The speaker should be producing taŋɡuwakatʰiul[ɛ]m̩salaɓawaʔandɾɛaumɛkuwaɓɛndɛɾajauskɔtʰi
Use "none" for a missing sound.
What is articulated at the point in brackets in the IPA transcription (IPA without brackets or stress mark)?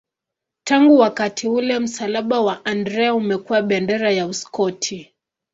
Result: ɛ